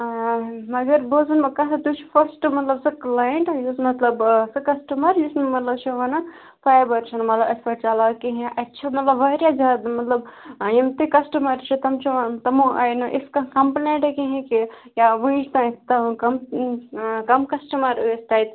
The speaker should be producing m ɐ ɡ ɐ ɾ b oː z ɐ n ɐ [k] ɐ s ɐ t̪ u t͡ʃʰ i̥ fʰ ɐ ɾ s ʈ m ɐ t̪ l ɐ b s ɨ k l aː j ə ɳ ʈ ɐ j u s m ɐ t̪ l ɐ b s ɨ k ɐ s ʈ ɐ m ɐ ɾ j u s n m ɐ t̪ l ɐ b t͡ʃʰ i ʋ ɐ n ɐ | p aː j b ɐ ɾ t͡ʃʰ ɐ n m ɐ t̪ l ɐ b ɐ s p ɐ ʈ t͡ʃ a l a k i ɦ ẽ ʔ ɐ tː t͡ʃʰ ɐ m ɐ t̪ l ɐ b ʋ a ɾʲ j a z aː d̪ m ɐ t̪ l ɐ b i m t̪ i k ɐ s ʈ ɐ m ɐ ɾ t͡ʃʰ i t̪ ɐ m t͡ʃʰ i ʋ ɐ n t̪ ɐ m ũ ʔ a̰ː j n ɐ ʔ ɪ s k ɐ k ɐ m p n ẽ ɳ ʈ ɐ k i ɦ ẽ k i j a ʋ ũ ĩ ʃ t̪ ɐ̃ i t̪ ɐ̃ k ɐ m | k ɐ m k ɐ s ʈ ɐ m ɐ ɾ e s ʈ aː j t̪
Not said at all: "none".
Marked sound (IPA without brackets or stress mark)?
k